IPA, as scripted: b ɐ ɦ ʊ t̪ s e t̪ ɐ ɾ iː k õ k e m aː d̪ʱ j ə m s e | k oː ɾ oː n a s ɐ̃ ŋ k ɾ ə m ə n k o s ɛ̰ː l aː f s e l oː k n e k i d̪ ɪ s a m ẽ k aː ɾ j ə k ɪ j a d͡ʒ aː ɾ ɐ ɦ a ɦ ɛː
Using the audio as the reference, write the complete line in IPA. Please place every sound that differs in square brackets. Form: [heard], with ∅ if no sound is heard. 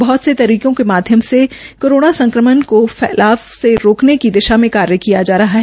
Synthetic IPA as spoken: b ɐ ɦ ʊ t̪ s e t̪ ɐ ɾ iː k õ k e m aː d̪ʱ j ə m s e | k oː ɾ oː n a s ɐ̃ ŋ k ɾ ə m ə n k o [f] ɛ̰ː l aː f s e [ɾ] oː k n e k i d̪ ɪ [ʃ] a m ẽ k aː ɾ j ə k [i] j a d͡ʒ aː ɾ ɐ ɦ a ɦ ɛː